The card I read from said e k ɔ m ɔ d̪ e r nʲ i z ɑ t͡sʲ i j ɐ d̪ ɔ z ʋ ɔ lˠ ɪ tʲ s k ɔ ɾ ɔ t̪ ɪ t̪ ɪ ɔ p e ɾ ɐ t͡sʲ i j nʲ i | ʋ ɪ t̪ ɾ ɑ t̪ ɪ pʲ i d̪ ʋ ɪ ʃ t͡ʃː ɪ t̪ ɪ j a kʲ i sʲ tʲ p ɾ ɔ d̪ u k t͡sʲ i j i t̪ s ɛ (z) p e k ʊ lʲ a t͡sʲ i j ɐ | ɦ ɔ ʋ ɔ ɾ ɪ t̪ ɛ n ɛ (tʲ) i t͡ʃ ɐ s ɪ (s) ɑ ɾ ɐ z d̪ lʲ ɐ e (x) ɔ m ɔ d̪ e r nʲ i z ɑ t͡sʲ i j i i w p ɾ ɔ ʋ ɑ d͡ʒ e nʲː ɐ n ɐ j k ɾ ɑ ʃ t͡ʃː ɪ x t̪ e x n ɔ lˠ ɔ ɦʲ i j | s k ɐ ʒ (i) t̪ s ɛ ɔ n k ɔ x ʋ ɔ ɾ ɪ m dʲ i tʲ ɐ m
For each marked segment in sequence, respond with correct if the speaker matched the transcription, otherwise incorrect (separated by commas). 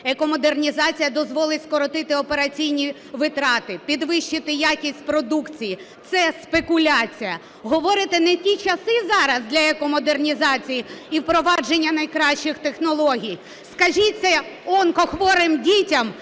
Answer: incorrect, correct, incorrect, incorrect, correct